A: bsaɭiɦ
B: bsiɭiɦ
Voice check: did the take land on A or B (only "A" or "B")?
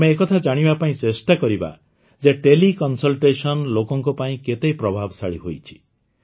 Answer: A